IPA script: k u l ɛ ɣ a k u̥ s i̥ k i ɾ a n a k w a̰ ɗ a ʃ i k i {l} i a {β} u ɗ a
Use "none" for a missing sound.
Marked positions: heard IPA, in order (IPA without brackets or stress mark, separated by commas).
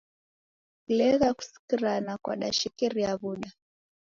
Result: ɾ, β